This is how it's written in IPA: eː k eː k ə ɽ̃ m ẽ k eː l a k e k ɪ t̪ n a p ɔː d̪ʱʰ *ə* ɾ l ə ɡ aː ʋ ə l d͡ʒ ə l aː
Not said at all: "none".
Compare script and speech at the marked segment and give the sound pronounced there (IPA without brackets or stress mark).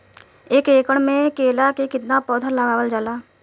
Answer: ə